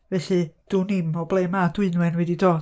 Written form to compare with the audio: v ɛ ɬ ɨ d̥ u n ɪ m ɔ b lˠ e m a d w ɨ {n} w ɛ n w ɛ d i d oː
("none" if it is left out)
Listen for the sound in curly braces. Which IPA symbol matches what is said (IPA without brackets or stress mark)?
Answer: n